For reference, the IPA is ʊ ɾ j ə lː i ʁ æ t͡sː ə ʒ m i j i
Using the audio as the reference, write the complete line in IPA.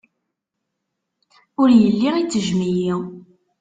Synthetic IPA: ʊ ɾ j ə lː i ʁ i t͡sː ə ʒ m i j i